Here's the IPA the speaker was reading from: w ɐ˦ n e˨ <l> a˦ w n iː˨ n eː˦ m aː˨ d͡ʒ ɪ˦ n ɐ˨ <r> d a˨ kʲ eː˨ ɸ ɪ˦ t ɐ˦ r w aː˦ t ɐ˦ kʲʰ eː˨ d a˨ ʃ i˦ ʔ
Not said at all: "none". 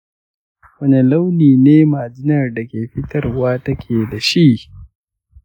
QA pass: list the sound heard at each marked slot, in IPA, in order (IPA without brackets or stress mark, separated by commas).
l, r